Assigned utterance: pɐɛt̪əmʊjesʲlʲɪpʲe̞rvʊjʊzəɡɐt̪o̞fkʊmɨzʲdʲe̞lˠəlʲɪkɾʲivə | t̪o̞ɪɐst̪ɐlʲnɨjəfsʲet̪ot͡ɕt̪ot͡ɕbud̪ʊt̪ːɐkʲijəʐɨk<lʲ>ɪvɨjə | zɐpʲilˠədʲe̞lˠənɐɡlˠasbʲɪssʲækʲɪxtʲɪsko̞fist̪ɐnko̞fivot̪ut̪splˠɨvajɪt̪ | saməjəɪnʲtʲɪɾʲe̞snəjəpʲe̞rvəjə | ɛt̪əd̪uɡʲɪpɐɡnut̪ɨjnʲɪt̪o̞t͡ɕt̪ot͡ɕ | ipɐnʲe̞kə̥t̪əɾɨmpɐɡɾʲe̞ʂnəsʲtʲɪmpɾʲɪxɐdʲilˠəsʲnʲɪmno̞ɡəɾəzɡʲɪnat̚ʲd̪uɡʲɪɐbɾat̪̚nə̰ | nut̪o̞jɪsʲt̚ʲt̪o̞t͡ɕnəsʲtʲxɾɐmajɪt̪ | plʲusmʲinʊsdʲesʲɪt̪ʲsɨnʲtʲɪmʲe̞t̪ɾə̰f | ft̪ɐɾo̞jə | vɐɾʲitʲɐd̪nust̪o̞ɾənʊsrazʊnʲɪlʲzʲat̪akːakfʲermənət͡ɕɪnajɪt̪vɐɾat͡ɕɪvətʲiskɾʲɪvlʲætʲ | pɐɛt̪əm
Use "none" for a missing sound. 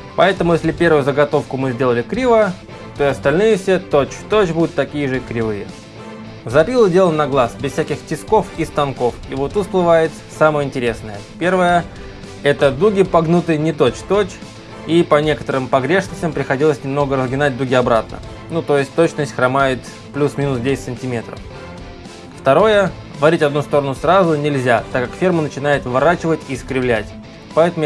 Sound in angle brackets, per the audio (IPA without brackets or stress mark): ɾʲ